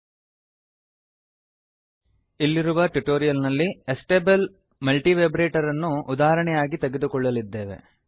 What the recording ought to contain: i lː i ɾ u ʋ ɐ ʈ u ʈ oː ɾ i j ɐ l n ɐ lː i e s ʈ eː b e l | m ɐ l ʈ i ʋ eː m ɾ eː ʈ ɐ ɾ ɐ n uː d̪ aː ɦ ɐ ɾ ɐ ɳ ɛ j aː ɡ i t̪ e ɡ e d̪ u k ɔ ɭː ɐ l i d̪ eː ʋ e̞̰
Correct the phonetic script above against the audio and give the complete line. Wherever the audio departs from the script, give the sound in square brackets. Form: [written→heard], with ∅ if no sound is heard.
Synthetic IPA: i lː i ɾ u ʋ ɐ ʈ u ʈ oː ɾ i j ɐ l n ɐ lː i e s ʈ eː b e l | m ɐ l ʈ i ʋ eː [m→b] ɾ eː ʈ ɐ ɾ ɐ [n→nː] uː d̪ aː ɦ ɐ ɾ ɐ ɳ ɛ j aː ɡ i t̪ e ɡ e d̪ u k ɔ ɭː ɐ l i [d̪→d̪ː] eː ʋ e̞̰

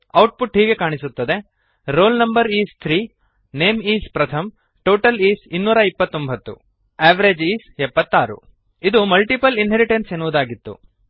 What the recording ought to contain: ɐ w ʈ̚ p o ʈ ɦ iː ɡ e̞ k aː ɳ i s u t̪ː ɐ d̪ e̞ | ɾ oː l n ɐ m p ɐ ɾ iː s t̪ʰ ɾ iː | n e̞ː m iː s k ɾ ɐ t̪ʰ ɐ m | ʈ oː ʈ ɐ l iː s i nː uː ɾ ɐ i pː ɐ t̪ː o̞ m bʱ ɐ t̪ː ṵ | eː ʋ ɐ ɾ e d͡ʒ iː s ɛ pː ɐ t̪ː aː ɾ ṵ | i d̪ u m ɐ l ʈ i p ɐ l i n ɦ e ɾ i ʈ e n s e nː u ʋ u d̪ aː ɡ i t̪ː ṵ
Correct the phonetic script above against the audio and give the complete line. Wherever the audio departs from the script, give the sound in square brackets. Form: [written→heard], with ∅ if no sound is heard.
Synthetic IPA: ɐ w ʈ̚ p [o→u] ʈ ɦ iː ɡ e̞ k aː ɳ i s u t̪ː ɐ d̪ e̞ | ɾ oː l n ɐ m [p→b] ɐ ɾ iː s t̪ʰ ɾ iː | n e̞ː m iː s [k→p] ɾ ɐ t̪ʰ ɐ m | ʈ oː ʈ ɐ l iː s i nː uː ɾ ɐ i pː ɐ t̪ː o̞ m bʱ ɐ t̪ː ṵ | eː ʋ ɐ ɾ e d͡ʒ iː s ɛ pː ɐ t̪ː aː ɾ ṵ | i d̪ u m ɐ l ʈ i p ɐ l i n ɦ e ɾ i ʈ e n s e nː u ʋ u d̪ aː ɡ i t̪ː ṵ

